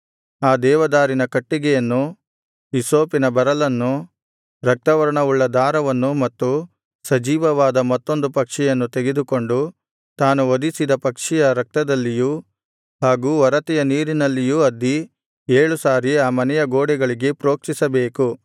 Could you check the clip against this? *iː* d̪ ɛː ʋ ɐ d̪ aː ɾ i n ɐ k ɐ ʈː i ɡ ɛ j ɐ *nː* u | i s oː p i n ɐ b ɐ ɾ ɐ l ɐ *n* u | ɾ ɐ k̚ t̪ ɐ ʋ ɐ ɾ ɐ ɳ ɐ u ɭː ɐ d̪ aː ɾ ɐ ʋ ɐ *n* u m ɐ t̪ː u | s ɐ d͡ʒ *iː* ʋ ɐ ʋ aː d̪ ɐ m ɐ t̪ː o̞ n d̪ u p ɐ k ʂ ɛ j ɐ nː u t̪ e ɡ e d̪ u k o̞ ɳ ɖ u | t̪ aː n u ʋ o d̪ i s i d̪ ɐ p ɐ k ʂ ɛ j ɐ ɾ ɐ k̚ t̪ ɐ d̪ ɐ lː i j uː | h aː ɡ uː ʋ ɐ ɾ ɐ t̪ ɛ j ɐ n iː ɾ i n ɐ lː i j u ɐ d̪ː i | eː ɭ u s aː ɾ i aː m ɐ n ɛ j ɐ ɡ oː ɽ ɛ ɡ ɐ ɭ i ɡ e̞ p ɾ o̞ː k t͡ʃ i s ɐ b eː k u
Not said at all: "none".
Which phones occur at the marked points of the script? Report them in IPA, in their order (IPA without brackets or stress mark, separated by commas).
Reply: aː, nː, nː, nː, iː